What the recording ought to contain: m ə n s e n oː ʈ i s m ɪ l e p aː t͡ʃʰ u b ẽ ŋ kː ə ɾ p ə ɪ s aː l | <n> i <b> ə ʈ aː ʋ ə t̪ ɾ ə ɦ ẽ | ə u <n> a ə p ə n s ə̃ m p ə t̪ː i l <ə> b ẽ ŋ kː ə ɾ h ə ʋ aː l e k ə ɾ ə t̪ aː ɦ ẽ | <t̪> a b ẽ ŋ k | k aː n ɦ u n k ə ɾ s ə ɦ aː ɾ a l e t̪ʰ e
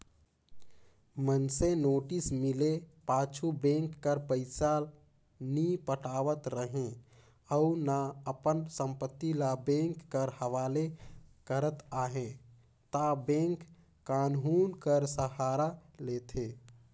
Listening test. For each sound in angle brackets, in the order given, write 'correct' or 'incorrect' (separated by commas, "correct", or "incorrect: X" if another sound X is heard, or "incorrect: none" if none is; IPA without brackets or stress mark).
correct, incorrect: p, correct, incorrect: a, correct